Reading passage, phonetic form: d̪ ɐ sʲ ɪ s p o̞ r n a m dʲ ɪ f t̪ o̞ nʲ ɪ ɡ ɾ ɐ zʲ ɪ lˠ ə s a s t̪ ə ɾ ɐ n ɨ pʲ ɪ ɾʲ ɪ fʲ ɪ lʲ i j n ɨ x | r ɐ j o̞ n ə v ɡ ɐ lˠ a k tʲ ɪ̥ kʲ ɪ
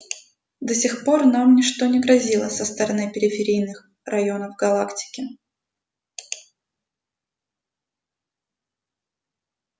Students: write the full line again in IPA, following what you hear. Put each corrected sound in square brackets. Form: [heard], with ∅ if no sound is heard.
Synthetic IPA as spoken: d̪ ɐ sʲ ɪ [x] p o̞ r n a m [nʲ] ɪ [ʂ] t̪ o̞ nʲ ɪ ɡ ɾ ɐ zʲ [i] lˠ ə s [ə] s t̪ ə ɾ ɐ n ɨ pʲ ɪ ɾʲ ɪ fʲ ɪ [ɾʲ] i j n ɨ x | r ɐ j o̞ n ə v ɡ ɐ lˠ a k tʲ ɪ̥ kʲ ɪ

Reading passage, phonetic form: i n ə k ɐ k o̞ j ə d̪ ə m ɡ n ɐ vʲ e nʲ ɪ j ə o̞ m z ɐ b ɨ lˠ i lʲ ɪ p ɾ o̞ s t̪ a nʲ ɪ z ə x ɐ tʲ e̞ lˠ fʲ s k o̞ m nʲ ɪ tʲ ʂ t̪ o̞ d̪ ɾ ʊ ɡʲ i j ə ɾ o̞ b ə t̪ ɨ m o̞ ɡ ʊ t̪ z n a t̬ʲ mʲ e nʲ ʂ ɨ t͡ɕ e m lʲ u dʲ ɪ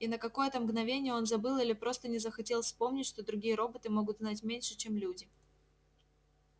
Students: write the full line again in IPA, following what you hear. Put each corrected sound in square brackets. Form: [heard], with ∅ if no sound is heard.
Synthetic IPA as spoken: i n ə k ɐ k o̞ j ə [t̪] ə m ɡ n ɐ vʲ e nʲ ɪ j ə o̞ [n] z ɐ b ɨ lˠ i lʲ ɪ p ɾ o̞ s t̪ [ə] nʲ ɪ z ə x ɐ tʲ e̞ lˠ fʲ s [p] o̞ m nʲ ɪ tʲ ʂ t̪ o̞ d̪ ɾ ʊ ɡʲ i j ə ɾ o̞ b ə t̪ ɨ m o̞ ɡ ʊ t̪ z n a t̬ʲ mʲ e nʲ ʂ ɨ t͡ɕ e m lʲ u dʲ ɪ

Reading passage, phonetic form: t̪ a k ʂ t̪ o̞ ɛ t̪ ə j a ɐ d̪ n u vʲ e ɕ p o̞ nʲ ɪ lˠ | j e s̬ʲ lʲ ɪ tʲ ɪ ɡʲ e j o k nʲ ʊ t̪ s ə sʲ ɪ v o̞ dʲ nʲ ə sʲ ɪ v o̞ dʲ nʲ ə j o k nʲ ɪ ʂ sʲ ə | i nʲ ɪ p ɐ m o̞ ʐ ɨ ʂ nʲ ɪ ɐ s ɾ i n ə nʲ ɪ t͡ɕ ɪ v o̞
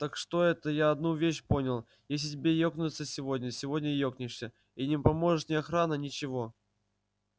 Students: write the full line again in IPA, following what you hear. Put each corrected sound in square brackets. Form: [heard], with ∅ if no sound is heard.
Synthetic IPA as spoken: t̪ a k ʂ t̪ o̞ ɛ t̪ ə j a ɐ d̪ n u vʲ e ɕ p o̞ nʲ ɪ lˠ | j e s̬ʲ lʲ ɪ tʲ ɪ [bʲ] e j o k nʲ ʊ t̪ s ə sʲ ɪ v o̞ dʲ nʲ ə sʲ ɪ v o̞ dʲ nʲ ə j o k nʲ ɪ ʂ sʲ ə | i nʲ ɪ p ɐ m o̞ ʐ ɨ ʂ nʲ ɪ ɐ [x] ɾ [a] n ə nʲ ɪ t͡ɕ ɪ v o̞

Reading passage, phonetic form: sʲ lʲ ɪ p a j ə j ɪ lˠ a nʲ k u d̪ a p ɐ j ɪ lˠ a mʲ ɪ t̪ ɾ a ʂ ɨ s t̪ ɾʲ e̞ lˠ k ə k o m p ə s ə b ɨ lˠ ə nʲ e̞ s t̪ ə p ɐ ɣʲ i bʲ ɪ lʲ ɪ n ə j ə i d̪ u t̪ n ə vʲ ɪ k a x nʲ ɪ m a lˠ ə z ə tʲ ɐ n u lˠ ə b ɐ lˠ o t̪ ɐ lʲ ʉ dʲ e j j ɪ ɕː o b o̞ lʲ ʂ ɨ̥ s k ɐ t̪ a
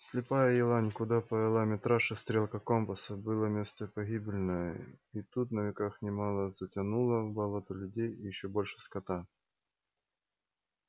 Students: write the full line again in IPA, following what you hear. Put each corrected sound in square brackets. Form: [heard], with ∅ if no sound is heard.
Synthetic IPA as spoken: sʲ lʲ ɪ p a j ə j ɪ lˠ a nʲ k [ʊ] d̪ a p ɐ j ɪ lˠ a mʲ ɪ t̪ ɾ a ʂ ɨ s t̪ ɾʲ e̞ lˠ k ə k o m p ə s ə b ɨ lˠ ə [mʲ] e̞ s t̪ ə p ɐ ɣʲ i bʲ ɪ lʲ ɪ n ə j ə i [t̪] u t̪ n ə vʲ ɪ k a x nʲ ɪ m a lˠ ə z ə tʲ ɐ n u lˠ ə b ɐ lˠ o t̪ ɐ lʲ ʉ dʲ e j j ɪ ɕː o b o̞ lʲ ʂ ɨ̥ s k ɐ t̪ a

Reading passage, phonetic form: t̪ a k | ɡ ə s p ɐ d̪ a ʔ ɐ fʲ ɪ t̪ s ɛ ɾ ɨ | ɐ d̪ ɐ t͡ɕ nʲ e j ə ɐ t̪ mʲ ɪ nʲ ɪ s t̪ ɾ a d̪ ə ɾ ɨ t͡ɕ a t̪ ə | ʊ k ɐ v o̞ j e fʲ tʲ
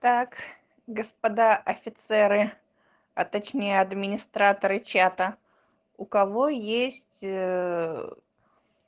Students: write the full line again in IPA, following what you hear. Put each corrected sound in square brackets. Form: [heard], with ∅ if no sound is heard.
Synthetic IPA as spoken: t̪ a k | ɡ ə s p ɐ d̪ a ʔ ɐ fʲ ɪ t̪ s ɛ ɾ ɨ | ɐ [t̪] ɐ t͡ɕ nʲ e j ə ɐ [d̪] mʲ ɪ nʲ ɪ s t̪ ɾ a [t̪] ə ɾ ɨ t͡ɕ a t̪ ə | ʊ k ɐ v o̞ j e [sʲ] tʲ

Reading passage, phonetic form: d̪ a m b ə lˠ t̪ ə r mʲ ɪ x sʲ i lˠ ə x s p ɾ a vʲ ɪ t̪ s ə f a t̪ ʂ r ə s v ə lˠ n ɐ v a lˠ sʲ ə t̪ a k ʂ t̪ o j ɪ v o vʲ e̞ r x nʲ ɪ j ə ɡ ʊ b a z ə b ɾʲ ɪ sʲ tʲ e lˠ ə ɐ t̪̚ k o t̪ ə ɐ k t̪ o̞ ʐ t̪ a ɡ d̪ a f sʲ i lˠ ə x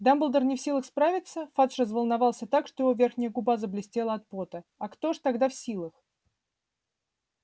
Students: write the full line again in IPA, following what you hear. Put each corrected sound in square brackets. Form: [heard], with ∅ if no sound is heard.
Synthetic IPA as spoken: d̪ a m b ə lˠ [d̪] ə r [nʲ] ɪ [f] sʲ i lˠ ə x s p ɾ a vʲ ɪ t̪ s ə f a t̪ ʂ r ə [z] v ə lˠ n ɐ v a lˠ sʲ ə t̪ a k ʂ t̪ o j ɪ v o vʲ e̞ r x nʲ ɪ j ə ɡ ʊ b a z ə b [lʲ] ɪ sʲ tʲ e lˠ ə ɐ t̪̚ [p] o t̪ ə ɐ k t̪ o̞ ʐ t̪ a ɡ d̪ a f sʲ i lˠ ə x

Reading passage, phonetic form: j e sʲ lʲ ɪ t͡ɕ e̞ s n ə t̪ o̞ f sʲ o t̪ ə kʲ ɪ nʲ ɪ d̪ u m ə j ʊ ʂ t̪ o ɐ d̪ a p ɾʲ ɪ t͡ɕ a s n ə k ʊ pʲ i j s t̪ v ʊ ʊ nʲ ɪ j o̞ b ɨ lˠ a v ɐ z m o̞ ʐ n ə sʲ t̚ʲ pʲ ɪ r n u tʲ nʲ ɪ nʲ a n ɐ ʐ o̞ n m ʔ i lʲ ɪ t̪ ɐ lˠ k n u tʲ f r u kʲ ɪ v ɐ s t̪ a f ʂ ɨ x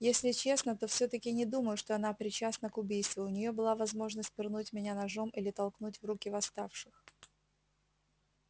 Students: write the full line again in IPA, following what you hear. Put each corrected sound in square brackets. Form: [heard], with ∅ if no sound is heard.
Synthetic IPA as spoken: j e sʲ lʲ ɪ t͡ɕ e̞ s n ə t̪ o̞ f sʲ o t̪ ə kʲ ɪ nʲ ɪ d̪ u m ə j ʊ ʂ t̪ o ɐ [n̪] a p ɾʲ ɪ t͡ɕ a s n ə k ʊ [bʲ] i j s t̪ v ʊ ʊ nʲ ɪ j o̞ b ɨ lˠ a v ɐ z m o̞ ʐ n ə sʲ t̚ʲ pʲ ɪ r n u tʲ [mʲ] ɪ nʲ a n ɐ ʐ o̞ [∅] m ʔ i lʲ ɪ t̪ ɐ lˠ k n u tʲ [v] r u kʲ ɪ v ɐ s t̪ a f ʂ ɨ x

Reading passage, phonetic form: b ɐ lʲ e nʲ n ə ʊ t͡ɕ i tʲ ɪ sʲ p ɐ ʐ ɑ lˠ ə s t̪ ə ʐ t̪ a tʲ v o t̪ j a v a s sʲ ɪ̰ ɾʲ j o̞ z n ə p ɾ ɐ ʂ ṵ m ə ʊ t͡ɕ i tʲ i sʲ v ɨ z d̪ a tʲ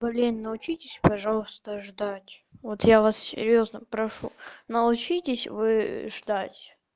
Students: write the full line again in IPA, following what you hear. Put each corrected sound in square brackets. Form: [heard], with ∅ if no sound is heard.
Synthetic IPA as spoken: b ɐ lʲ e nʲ n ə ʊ t͡ɕ i tʲ ɪ sʲ p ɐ ʐ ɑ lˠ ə s t̪ ə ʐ [d̪] a tʲ v o t̪ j a v a s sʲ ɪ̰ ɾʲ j o̞ z n ə p ɾ ɐ ʂ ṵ [n] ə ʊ t͡ɕ i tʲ [ɪ] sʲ v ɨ [ʐ] d̪ a tʲ

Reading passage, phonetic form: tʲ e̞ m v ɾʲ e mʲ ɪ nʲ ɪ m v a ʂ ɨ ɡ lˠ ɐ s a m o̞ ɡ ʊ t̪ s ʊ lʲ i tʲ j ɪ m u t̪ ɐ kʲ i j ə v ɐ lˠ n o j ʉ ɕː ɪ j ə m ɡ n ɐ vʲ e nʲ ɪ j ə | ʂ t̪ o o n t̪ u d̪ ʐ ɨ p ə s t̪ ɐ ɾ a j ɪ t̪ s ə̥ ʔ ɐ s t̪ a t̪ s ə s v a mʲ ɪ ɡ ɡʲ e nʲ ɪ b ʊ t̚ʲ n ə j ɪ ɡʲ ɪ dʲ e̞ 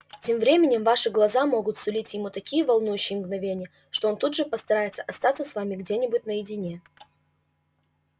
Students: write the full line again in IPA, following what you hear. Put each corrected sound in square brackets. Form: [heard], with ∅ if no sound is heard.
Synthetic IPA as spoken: tʲ e̞ m v ɾʲ e mʲ ɪ nʲ ɪ m v a ʂ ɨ ɡ lˠ ɐ [z] a m o̞ ɡ ʊ t̪ s ʊ lʲ i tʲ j ɪ m u t̪ ɐ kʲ i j ə v ɐ lˠ n [u] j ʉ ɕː ɪ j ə m ɡ n ɐ vʲ e nʲ ɪ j ə | ʂ t̪ o o n t̪ u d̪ ʐ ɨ p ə s t̪ ɐ ɾ a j ɪ t̪ s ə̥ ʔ ɐ s t̪ a t̪ s ə s v a mʲ ɪ ɡ [dʲ] e nʲ ɪ b ʊ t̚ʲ n ə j ɪ [dʲ] ɪ [nʲ] e̞

